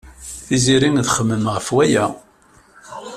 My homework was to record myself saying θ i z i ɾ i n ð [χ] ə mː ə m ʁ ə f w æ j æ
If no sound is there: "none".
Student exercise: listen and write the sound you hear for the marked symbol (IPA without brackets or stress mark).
χ